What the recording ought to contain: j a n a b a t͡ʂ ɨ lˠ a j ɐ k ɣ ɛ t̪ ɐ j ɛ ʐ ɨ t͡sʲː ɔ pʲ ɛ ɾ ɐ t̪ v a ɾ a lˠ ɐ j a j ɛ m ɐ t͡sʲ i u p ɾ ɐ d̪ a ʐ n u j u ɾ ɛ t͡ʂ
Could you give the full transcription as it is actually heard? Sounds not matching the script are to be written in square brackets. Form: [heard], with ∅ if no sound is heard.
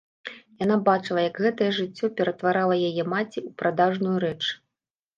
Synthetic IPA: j a n a b a t͡ʂ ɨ lˠ [ɐ] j ɐ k ɣ ɛ t̪ ɐ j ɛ ʐ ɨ t͡sʲː ɔ pʲ ɛ ɾ ɐ t̪ v a ɾ a lˠ ɐ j a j ɛ m [a] t͡sʲ i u p ɾ [a] d̪ a ʐ n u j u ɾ ɛ t͡ʂ